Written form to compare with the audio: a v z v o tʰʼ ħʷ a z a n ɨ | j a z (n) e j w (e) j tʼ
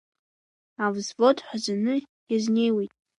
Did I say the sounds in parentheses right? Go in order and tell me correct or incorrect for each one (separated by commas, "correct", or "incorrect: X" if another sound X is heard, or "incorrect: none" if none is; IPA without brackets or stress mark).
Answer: correct, correct